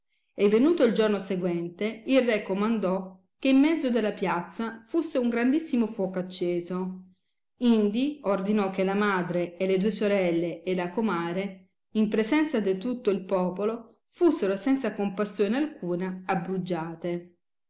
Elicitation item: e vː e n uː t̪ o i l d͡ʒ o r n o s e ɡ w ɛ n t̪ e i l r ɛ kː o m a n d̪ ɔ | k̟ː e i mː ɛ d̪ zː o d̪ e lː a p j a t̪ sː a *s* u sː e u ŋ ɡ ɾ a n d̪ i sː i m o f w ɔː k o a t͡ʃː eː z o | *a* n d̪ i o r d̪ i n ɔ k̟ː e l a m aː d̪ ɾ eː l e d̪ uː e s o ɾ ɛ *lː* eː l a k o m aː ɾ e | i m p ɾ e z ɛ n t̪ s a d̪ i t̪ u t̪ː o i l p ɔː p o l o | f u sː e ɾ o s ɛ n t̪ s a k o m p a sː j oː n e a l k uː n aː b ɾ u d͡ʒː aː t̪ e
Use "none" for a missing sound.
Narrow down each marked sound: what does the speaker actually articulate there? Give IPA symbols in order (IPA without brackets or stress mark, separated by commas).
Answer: f, i, lː